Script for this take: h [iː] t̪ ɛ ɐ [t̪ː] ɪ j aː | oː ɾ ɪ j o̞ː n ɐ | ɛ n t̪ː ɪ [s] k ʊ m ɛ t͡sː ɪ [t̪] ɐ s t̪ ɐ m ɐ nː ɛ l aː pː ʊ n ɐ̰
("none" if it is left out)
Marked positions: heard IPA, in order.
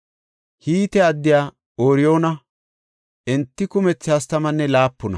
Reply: iː, d̪ː, none, none

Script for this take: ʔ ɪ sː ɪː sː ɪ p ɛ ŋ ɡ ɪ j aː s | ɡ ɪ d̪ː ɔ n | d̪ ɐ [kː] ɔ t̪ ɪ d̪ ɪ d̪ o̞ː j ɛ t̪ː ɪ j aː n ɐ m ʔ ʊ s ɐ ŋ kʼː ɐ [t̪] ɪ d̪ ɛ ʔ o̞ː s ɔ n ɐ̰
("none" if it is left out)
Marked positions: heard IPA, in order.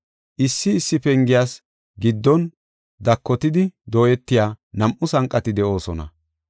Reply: kː, t̪

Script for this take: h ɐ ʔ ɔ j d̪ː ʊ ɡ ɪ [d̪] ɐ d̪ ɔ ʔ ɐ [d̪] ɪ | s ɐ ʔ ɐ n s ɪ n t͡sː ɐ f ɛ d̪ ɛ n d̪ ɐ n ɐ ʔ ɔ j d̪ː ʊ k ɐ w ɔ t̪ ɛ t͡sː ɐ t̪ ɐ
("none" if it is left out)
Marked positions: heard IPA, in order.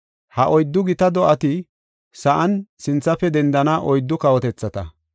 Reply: t̪, t̪

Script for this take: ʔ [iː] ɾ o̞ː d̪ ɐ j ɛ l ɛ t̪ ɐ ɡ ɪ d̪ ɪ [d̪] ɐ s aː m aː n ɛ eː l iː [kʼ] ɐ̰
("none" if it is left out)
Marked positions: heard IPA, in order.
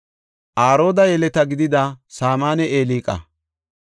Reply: aː, d̪, kʼ

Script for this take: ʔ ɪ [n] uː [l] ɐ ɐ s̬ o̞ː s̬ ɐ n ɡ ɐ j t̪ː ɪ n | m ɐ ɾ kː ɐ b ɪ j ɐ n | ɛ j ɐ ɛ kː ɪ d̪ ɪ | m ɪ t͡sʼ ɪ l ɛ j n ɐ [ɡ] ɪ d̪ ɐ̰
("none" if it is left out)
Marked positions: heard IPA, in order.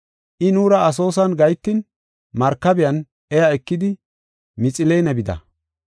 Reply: n, ɾ, b

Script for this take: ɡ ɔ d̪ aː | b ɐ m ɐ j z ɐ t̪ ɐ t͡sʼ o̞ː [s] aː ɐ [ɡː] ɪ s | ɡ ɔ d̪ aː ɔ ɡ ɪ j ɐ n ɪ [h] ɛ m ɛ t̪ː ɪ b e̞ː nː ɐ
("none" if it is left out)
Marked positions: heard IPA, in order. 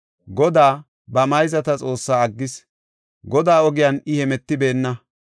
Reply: sː, ɡː, h

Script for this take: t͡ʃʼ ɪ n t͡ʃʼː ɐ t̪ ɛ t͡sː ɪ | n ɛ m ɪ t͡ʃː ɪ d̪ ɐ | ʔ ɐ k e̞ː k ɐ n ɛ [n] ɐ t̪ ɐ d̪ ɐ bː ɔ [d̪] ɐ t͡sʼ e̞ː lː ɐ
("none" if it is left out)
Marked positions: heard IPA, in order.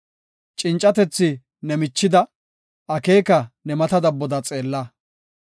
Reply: m, d̪

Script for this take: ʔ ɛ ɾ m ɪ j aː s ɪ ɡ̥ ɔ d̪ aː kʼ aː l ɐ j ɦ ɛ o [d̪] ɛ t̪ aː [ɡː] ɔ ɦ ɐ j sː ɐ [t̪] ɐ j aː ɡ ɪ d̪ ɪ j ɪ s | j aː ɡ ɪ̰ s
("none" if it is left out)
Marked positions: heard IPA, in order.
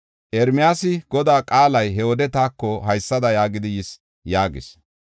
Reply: d̪, kː, d̪

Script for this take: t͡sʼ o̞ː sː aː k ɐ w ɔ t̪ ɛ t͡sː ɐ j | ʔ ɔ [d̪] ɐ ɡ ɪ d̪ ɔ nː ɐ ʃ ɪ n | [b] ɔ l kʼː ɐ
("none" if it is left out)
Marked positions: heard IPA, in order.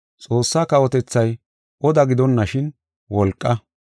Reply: d̪, w

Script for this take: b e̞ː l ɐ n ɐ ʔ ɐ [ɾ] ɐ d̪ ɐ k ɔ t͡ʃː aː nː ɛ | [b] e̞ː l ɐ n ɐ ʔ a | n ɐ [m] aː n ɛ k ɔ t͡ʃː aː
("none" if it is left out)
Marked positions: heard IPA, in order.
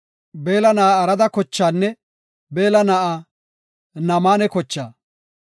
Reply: ɾ, b, m

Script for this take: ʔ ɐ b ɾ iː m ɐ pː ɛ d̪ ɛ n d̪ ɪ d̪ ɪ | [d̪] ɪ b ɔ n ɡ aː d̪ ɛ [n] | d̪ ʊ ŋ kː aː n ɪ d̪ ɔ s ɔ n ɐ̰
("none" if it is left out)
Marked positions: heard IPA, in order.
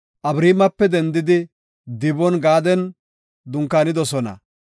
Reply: d̪, n

